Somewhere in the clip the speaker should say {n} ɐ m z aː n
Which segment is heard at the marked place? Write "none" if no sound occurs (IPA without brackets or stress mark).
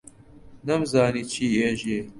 n